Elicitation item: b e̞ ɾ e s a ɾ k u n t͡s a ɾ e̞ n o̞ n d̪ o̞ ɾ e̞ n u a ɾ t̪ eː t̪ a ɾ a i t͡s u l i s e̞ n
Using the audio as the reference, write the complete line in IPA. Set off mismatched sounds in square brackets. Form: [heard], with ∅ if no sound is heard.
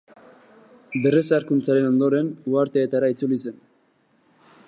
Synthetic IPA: b e̞ [r] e s a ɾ k u n t͡s a ɾ e̞ n o̞ n d̪ o̞ ɾ e̞ n u a ɾ t̪ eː t̪ a ɾ a i t͡s u l i s e̞ n